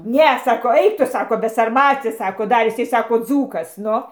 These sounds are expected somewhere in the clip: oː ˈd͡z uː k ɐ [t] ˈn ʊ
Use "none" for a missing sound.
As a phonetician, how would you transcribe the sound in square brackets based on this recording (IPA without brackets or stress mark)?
s